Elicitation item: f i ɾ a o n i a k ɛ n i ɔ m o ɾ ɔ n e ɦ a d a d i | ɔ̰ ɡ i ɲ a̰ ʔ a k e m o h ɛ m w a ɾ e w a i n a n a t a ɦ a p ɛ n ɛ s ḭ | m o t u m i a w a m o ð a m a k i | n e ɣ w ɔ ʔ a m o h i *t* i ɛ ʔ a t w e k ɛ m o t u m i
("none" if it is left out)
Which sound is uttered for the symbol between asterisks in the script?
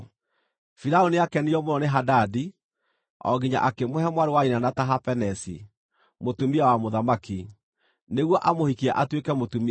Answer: k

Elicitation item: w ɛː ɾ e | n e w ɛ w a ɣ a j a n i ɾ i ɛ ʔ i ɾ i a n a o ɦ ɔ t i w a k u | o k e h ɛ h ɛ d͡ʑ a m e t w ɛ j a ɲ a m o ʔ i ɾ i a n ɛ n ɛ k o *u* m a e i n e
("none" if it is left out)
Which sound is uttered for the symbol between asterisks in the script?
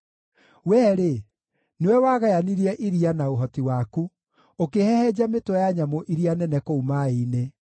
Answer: u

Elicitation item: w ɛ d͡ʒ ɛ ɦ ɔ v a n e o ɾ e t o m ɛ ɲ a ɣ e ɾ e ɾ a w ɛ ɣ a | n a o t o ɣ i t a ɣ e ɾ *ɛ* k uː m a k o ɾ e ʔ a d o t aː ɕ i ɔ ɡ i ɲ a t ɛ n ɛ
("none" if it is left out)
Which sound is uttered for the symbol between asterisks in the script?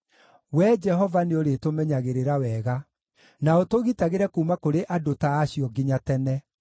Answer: ɛ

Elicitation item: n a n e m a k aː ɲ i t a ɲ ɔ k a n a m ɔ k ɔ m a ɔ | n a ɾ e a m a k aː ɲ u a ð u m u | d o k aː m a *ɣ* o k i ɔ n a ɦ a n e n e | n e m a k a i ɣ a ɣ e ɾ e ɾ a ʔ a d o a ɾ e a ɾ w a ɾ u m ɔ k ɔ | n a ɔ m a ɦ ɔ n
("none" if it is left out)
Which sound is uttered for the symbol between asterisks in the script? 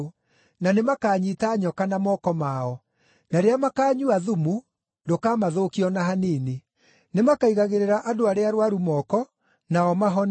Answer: ð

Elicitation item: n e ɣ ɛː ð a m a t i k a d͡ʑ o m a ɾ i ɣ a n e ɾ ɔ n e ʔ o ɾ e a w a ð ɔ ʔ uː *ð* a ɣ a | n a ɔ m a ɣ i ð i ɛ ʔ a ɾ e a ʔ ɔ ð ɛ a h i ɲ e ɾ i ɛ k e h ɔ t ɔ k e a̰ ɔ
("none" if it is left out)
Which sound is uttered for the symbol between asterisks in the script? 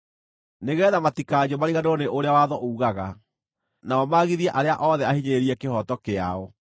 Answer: ɣ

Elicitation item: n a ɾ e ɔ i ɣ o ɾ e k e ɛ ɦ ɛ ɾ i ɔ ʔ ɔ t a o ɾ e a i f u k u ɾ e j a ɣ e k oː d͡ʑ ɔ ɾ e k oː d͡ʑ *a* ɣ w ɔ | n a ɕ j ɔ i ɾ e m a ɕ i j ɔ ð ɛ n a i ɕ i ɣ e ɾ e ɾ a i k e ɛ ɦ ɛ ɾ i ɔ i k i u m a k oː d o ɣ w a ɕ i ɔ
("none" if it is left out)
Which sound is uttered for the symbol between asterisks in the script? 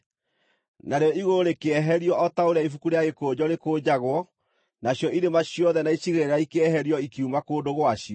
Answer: a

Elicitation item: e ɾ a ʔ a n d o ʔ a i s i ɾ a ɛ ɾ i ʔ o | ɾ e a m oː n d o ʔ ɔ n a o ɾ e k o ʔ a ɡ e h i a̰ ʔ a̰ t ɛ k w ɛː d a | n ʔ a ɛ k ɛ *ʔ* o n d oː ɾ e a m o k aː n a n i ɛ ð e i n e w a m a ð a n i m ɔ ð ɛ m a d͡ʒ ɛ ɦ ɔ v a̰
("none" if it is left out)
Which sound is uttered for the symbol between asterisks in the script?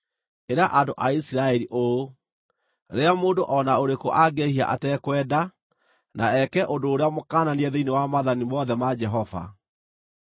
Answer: ʔ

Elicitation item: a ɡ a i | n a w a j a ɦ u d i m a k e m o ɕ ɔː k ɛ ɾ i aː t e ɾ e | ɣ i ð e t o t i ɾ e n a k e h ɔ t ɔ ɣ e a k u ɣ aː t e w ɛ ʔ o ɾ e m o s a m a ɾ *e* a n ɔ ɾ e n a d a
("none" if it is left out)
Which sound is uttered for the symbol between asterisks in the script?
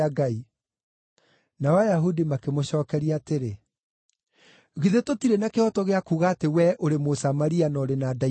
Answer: i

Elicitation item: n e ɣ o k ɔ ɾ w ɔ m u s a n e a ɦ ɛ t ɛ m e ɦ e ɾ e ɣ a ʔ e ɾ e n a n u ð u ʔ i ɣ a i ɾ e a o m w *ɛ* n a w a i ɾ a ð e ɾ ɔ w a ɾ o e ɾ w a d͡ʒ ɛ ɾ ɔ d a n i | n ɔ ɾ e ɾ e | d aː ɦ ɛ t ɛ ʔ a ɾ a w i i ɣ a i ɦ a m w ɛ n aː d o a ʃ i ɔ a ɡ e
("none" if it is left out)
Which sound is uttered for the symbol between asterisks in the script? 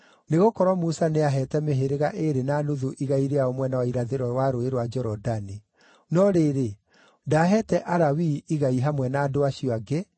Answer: ɛ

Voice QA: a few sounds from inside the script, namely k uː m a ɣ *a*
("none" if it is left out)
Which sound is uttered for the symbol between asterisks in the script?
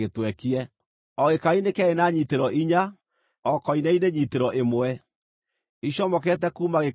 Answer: e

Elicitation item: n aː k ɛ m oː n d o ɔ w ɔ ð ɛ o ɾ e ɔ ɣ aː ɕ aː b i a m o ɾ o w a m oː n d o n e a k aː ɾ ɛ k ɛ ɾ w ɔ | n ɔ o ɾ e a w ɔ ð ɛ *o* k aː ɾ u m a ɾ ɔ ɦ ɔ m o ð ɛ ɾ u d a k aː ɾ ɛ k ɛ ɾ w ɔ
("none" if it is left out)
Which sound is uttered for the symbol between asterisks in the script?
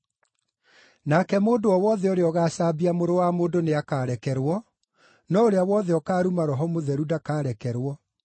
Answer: ɔ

